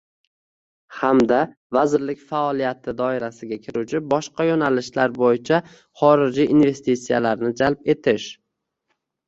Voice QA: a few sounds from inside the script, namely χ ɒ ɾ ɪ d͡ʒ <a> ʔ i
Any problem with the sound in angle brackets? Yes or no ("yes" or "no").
yes